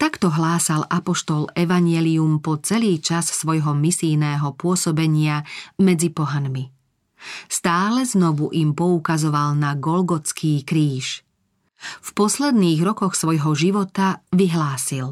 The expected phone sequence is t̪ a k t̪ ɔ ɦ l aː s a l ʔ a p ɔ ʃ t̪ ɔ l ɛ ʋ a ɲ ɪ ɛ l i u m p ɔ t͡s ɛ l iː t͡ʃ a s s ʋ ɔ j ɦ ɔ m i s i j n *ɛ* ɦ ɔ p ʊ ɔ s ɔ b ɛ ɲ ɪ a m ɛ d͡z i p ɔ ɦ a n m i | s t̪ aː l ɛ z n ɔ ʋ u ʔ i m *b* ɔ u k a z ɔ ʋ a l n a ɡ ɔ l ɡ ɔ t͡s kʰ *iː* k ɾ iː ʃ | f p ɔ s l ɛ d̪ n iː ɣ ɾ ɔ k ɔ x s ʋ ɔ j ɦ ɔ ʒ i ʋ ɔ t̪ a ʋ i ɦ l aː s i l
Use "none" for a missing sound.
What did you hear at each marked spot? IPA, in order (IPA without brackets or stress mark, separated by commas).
ɛː, p, iː